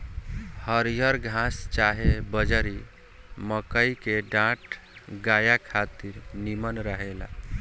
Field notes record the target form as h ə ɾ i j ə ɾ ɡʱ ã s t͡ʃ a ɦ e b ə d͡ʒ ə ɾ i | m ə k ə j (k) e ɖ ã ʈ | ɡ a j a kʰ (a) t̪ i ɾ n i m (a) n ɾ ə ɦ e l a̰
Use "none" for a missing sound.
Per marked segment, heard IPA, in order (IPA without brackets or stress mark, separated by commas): k, a, ə